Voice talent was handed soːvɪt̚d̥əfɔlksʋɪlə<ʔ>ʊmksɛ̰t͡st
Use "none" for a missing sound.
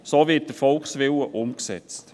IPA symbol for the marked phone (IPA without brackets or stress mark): ʔ